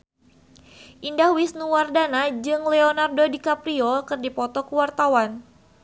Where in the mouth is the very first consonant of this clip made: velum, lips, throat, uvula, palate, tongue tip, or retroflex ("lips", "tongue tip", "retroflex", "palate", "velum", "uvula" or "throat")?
throat